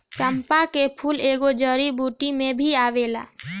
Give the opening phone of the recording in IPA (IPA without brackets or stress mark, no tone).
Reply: t͡ʃ